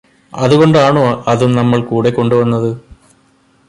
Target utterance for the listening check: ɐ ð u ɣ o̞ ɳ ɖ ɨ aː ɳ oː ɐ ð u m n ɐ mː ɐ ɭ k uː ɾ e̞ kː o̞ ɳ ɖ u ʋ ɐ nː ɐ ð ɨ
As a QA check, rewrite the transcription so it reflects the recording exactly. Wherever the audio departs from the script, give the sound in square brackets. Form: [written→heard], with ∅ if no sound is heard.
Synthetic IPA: ɐ ð u ɣ o̞ ɳ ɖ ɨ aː ɳ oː ɐ ð u m n ɐ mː ɐ ɭ k uː [ɾ→ɽ] e̞ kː o̞ ɳ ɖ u ʋ ɐ nː ɐ ð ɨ

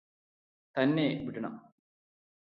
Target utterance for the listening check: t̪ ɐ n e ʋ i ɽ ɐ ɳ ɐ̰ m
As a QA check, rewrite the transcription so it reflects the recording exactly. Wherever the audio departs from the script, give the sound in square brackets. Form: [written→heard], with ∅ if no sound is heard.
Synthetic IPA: t̪ ɐ [n→nː] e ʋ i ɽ ɐ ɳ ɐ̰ m

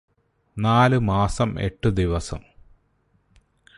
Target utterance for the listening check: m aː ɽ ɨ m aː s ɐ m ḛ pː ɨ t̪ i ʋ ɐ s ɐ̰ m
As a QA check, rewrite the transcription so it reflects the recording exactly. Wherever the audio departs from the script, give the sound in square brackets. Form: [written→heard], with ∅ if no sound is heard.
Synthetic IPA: [m→n] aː [ɽ→l] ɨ m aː s ɐ m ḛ [pː→ʈː] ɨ [t̪→d̪] i ʋ ɐ s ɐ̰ m

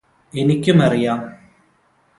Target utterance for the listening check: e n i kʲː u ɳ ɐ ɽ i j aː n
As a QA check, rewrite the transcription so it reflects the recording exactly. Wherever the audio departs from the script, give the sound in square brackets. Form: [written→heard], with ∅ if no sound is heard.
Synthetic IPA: e n i kʲː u [ɳ→m] ɐ [ɽ→r] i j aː [n→m]

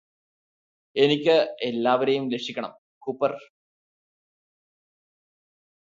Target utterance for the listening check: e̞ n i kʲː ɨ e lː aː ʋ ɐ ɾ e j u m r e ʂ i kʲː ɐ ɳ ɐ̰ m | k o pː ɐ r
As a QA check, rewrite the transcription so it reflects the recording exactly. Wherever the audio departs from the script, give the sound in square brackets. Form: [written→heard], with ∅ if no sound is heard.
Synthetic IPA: e̞ n i kʲː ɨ e lː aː ʋ ɐ ɾ e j u m [r→l] e ʂ i kʲː ɐ ɳ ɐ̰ m | k [o→u] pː ɐ r

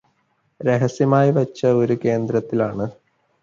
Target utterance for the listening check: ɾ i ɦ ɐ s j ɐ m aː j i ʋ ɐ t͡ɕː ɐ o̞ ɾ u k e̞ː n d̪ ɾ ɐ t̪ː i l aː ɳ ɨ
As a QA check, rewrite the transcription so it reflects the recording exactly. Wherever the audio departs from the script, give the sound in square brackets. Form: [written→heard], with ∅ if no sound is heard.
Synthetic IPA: ɾ [i→e] ɦ ɐ s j ɐ m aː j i ʋ ɐ t͡ɕː ɐ o̞ ɾ u k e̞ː n d̪ ɾ ɐ t̪ː i l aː ɳ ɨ

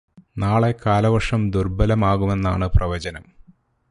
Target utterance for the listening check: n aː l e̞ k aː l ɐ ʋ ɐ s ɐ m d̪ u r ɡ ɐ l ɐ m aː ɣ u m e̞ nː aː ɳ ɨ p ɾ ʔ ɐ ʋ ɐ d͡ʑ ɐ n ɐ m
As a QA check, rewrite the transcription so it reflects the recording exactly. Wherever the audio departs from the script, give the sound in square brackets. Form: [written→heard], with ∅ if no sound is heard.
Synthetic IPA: n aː [l→ɭ] e̞ k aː l ɐ ʋ ɐ [s→ʂ] ɐ m d̪ u r [ɡ→b] ɐ l ɐ m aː ɣ u m e̞ nː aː ɳ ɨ p [ɾ→r] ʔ ɐ ʋ ɐ d͡ʑ ɐ n ɐ m

